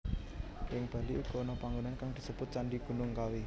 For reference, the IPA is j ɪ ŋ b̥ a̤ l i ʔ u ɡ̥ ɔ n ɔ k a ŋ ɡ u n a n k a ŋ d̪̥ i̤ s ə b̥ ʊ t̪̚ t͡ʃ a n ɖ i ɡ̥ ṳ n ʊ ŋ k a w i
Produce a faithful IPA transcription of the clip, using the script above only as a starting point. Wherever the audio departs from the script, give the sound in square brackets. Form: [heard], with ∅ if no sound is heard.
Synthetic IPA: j ɪ ŋ b̥ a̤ l i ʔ u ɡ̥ ɔ n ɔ [p] a ŋ ɡ u n a n k a ŋ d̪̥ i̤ s ə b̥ ʊ t̪̚ t͡ʃ a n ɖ i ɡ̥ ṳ n ʊ ŋ k a w i